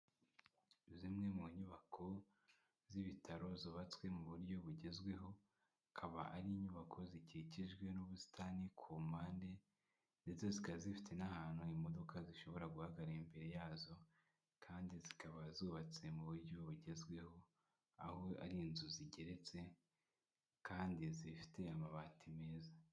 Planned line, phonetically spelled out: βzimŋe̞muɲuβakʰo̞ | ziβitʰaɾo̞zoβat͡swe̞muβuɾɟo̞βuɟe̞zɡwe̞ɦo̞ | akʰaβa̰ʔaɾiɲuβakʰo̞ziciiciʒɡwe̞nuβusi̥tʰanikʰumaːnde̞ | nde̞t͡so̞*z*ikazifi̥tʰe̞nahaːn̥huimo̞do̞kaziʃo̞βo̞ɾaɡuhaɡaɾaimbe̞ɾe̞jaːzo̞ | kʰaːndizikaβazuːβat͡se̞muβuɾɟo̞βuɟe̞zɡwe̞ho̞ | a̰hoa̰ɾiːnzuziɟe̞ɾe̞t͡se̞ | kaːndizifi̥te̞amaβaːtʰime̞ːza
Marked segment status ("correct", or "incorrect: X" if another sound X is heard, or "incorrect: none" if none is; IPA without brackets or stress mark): correct